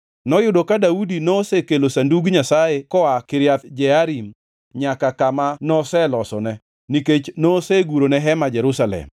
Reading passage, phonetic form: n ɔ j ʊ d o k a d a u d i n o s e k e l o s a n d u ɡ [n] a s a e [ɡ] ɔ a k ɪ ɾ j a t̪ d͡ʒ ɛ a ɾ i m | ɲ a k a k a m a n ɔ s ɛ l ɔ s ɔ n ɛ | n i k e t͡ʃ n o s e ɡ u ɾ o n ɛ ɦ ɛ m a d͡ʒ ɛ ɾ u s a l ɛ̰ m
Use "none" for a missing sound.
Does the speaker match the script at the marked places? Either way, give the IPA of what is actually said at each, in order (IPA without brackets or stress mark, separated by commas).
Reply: ɲ, k